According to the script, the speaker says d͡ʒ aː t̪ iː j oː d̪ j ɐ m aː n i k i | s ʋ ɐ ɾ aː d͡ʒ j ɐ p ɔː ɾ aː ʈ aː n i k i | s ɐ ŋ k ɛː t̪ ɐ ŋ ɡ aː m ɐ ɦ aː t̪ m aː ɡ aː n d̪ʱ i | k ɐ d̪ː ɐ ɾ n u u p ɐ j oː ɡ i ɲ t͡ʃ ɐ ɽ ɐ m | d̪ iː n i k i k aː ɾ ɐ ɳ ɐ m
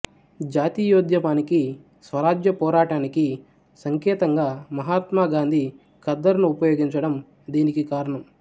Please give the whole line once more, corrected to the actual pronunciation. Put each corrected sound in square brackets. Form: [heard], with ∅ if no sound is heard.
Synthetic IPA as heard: d͡ʒ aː t̪ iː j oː d̪ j ɐ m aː n i k i | s ʋ ɐ ɾ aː d͡ʒ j ɐ p ɔː ɾ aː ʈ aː n i k i | s ɐ ŋ k ɛː t̪ ɐ ŋ ɡ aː m ɐ ɦ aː t̪ m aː ɡ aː n d̪ʱ i | k ɐ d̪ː ɐ ɾ n u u p ɐ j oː ɡ i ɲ t͡ʃ ɐ ɽ ɐ m | d̪ iː n i k i k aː ɾ ɐ ɳ ɐ m